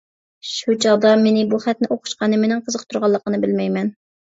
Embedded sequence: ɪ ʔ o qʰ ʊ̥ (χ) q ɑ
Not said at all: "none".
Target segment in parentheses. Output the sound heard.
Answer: ʃ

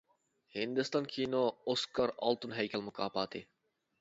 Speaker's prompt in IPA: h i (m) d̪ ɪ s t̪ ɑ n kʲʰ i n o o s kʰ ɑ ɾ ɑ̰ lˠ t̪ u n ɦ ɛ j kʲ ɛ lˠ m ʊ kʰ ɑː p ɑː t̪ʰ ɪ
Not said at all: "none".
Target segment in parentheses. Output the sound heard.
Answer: n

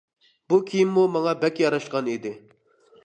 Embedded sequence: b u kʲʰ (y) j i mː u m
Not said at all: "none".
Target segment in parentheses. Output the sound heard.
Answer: i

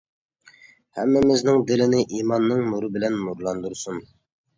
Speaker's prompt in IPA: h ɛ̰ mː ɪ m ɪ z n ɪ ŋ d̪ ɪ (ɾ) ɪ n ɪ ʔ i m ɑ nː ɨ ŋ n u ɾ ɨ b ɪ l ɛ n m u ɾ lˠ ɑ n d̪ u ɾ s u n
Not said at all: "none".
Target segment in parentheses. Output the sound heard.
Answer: l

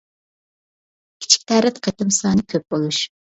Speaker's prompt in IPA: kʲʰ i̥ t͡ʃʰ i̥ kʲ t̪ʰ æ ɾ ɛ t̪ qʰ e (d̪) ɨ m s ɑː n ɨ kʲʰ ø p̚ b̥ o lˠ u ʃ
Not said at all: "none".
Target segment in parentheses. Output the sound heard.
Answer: t̪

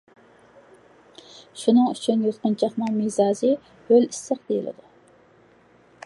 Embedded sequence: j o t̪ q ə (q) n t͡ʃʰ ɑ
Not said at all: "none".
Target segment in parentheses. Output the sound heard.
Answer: none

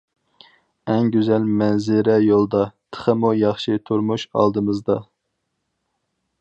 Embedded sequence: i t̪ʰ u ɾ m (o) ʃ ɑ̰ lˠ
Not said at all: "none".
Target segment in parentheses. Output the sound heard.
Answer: u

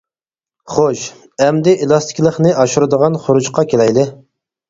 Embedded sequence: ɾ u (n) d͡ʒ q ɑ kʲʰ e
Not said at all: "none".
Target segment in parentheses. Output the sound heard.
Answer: none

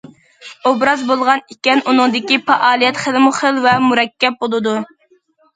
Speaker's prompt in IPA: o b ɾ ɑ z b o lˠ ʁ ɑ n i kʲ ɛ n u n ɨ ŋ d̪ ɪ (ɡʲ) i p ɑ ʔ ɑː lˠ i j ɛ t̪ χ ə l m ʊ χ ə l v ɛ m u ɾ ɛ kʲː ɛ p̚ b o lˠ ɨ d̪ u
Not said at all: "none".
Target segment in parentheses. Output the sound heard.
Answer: kʲ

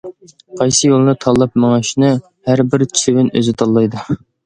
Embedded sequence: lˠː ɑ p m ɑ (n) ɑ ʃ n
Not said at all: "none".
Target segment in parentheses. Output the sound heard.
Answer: ŋ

